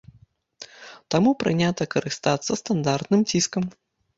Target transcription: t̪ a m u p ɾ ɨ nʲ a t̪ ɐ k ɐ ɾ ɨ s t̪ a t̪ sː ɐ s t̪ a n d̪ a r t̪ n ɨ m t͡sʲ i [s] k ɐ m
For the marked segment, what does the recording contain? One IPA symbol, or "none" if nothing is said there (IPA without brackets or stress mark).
s